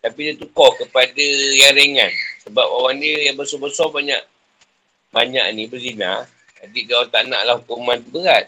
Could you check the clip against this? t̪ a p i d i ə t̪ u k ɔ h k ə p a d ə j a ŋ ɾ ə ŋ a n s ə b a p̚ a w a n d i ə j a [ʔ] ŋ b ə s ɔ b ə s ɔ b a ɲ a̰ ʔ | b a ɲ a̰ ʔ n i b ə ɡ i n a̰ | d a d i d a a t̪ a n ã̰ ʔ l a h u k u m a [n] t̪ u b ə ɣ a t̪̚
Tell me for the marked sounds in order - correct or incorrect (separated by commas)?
incorrect, correct